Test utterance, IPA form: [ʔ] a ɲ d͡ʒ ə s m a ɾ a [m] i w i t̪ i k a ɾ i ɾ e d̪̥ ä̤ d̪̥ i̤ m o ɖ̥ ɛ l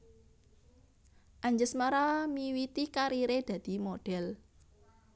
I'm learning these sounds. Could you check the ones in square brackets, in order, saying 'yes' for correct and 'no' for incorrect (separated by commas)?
yes, yes